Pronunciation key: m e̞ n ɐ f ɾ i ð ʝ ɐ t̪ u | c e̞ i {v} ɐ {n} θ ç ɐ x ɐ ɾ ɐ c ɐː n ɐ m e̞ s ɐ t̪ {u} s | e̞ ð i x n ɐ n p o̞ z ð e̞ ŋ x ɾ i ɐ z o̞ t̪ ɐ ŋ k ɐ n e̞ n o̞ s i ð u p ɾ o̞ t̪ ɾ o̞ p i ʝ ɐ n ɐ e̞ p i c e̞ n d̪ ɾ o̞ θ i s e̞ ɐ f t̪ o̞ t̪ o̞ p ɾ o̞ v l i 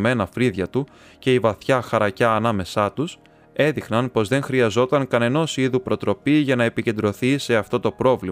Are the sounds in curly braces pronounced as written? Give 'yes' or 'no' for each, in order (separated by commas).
yes, no, yes